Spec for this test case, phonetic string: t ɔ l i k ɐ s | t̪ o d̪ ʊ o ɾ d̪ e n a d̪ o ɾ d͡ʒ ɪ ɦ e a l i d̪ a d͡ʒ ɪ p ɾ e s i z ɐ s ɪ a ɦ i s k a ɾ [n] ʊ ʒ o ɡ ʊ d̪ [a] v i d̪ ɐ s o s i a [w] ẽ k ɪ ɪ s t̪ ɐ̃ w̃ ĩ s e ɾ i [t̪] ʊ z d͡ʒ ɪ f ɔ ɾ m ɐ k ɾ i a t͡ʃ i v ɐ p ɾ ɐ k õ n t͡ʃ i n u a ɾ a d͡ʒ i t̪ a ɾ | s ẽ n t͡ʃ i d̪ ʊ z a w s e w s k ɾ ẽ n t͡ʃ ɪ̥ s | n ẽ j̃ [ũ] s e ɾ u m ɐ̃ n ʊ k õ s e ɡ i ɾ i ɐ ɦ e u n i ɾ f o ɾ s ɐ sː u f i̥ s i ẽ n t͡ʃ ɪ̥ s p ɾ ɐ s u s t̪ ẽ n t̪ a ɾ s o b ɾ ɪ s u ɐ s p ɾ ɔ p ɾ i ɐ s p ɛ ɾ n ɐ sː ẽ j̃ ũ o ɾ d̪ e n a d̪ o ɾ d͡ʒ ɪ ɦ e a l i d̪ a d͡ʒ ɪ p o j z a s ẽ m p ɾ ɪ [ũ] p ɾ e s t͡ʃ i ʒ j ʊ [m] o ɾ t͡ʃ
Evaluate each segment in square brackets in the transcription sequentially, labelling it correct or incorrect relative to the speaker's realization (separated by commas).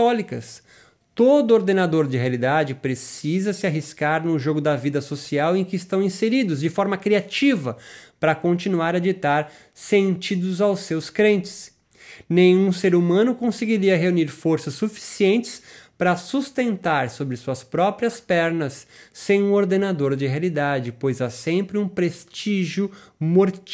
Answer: correct, incorrect, correct, incorrect, correct, correct, correct